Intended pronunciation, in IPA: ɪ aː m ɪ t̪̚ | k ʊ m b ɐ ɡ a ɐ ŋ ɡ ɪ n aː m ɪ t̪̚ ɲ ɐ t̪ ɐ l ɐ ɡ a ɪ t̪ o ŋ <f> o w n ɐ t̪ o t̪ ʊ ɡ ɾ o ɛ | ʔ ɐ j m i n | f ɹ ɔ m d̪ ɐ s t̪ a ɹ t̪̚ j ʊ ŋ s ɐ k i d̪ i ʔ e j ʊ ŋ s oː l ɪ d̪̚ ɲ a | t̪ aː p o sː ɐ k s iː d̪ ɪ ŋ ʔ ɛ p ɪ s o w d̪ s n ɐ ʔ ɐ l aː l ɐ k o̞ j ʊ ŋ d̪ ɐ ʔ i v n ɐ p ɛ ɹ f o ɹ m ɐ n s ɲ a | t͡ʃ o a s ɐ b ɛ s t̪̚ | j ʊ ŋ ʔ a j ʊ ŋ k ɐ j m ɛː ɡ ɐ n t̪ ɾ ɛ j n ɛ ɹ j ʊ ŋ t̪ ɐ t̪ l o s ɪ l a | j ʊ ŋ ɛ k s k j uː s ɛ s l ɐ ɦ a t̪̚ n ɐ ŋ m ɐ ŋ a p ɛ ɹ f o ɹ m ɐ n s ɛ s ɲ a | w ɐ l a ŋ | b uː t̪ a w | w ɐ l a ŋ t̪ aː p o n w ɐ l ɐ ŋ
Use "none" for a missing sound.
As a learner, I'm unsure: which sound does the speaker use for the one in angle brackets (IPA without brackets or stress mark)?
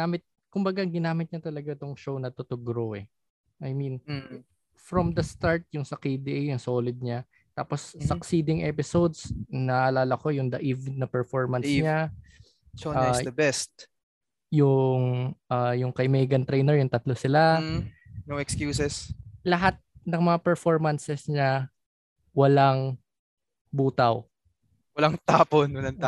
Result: ʃ